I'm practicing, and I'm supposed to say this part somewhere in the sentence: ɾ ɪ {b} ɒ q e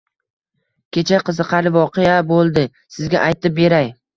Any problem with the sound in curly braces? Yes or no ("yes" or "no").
yes